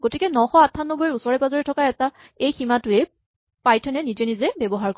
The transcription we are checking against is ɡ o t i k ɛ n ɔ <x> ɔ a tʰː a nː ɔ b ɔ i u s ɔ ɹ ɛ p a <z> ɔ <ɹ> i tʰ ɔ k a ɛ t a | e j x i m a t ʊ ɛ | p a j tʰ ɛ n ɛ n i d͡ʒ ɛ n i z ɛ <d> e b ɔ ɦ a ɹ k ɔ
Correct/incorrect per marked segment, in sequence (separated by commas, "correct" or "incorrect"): correct, correct, correct, incorrect